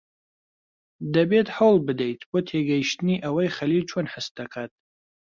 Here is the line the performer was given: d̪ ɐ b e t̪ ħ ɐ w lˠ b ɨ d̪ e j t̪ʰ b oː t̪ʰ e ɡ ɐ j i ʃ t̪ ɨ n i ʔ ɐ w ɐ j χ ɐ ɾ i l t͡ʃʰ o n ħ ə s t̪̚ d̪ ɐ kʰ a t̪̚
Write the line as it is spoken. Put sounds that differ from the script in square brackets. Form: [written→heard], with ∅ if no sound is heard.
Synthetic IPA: d̪ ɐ b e t̪ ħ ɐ w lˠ b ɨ d̪ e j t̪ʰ b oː t̪ʰ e ɡ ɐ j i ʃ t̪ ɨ n i ʔ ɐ w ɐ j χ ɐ [ɾ→l] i l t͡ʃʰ o n ħ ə s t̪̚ d̪ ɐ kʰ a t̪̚